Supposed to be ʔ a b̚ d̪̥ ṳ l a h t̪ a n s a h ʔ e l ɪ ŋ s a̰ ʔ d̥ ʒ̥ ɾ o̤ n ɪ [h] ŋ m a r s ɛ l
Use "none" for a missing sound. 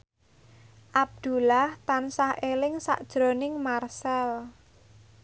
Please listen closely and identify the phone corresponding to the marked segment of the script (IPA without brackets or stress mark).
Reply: none